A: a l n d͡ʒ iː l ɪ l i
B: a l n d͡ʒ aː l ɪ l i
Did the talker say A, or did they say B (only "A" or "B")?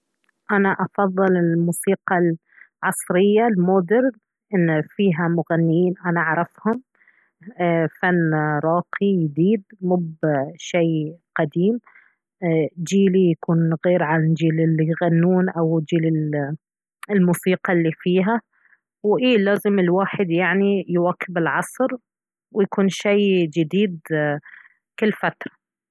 A